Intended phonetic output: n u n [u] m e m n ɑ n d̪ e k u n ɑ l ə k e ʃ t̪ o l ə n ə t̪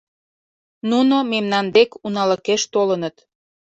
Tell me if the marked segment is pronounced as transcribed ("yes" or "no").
no